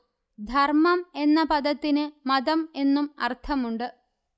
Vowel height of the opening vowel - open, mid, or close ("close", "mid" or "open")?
open